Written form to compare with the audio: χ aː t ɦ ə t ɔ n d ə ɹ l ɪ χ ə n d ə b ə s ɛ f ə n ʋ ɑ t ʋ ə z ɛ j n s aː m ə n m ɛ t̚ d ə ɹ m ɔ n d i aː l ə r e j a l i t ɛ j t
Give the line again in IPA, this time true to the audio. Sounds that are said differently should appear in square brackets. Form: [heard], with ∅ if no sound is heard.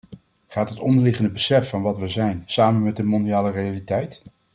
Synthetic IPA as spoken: χ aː t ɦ ə t ɔ n d ə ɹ l ɪ χ ə n d ə b ə s ɛ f [ɑ] n ʋ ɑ t ʋ ə z ɛ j n s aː m ə n m ɛ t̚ d ə [∅] m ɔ n d i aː l ə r e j a l i t ɛ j t